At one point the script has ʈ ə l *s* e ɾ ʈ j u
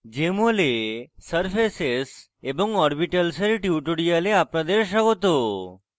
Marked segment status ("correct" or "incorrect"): correct